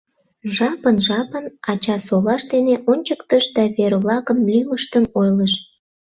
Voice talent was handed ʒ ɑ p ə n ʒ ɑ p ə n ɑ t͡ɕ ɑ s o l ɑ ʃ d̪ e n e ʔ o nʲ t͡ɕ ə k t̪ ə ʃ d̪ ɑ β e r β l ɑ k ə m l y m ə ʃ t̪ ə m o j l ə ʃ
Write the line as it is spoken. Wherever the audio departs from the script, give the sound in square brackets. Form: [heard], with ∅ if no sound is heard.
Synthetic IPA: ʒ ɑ p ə n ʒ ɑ p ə n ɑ t͡ɕ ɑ s o l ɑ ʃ d̪ e n e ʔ o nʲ t͡ɕ ə k t̪ ə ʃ d̪ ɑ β e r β l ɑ k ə m l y m ə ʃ t̪ ə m o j l ə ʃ